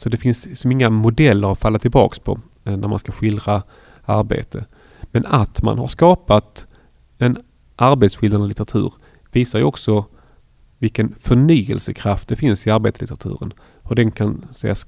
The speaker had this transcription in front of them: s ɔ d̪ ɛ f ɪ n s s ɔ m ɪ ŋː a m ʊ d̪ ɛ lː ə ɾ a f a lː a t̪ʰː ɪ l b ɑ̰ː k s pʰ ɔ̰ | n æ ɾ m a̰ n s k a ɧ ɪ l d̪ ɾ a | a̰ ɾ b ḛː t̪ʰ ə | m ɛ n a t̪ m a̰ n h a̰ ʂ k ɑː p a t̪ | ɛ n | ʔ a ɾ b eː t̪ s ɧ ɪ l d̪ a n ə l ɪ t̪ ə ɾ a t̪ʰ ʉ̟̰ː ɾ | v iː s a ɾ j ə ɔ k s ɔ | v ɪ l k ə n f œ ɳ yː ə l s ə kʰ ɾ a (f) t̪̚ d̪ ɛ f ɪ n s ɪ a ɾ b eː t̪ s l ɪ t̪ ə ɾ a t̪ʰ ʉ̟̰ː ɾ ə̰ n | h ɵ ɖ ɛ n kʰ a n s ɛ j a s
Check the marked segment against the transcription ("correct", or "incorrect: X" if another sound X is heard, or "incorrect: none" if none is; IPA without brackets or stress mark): correct